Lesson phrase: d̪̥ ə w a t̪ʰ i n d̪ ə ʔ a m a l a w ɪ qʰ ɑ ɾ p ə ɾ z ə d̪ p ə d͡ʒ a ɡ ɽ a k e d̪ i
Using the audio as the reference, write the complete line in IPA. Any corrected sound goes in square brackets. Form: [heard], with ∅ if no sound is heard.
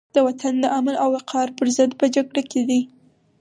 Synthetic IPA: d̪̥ ə w a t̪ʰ [a] n d̪ ə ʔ a m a l a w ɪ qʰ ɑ ɾ p ə ɾ z ə d̪ p ə d͡ʒ a ɡ ɽ a k e d̪ i